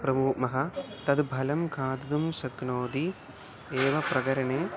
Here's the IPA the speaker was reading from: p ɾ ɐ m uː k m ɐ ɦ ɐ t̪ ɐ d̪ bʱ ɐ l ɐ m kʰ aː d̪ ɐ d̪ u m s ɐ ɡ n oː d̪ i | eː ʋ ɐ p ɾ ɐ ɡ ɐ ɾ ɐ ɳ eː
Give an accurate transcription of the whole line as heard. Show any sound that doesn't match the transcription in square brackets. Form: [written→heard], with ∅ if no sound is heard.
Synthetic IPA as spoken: p ɾ ɐ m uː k m ɐ ɦ ɐ t̪ ɐ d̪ bʱ ɐ l ɐ m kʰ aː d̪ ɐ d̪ u m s ɐ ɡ n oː d̪ i | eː ʋ ɐ p ɾ ɐ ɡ ɐ ɾ ɐ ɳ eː